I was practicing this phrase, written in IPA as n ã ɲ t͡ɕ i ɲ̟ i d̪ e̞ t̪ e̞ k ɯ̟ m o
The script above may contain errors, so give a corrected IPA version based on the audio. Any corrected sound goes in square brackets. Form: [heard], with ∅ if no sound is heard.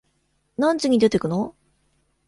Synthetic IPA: n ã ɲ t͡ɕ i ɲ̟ i d̪ e̞ t̪ e̞ k ɯ̟ [n] o